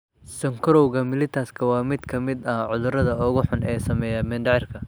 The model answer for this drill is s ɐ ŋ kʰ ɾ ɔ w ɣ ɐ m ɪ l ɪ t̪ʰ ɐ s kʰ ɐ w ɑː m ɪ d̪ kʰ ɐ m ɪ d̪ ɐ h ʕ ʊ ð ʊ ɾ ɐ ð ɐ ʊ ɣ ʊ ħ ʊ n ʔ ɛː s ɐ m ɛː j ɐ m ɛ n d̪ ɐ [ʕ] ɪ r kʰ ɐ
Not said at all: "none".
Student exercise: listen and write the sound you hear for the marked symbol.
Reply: ʕ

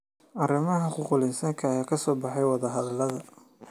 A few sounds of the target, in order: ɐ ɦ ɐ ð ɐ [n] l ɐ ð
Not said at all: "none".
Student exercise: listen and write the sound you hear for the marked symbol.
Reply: none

